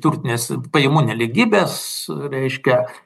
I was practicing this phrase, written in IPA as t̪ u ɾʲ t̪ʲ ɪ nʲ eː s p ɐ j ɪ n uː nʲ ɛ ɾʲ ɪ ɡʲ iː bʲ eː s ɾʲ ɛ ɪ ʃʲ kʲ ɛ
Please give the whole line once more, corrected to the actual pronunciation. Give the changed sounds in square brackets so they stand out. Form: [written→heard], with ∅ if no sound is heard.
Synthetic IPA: t̪ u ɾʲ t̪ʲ ɪ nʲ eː s p ɐ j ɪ [n→m] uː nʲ ɛ [ɾʲ→lʲ] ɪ ɡʲ iː bʲ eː s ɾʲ ɛ ɪ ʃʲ kʲ ɛ